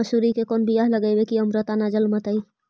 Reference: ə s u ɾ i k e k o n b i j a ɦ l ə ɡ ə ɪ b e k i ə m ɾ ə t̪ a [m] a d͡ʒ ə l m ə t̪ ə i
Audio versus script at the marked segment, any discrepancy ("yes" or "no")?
yes